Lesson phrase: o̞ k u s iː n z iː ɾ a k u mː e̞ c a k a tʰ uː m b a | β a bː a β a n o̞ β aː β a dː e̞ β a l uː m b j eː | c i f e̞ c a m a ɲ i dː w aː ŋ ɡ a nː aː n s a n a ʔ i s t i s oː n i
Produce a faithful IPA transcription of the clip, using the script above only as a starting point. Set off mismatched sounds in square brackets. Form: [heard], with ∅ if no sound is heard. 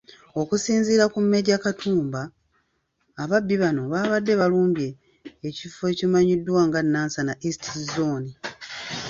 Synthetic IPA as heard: o̞ k u s iː n z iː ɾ a k u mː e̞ [ɟ] a k a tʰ uː m b a | β a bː [i] β a n o̞ β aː β a dː e̞ β a l uː m b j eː | c i f e̞ c [i] m a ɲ i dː w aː ŋ ɡ a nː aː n s a n a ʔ i s t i [z] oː n i